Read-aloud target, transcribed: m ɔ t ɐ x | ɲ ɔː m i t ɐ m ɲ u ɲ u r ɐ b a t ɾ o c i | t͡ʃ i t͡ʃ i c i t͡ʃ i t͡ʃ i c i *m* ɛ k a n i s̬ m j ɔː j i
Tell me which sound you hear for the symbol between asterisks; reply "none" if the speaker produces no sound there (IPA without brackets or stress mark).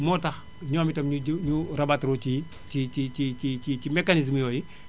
m